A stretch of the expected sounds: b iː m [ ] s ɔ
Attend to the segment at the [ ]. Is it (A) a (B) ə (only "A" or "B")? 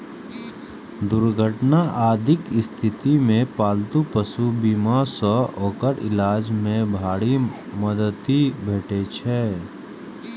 A